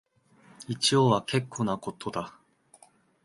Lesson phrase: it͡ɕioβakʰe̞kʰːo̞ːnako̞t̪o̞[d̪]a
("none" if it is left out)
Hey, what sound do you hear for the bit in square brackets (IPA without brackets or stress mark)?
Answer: d̪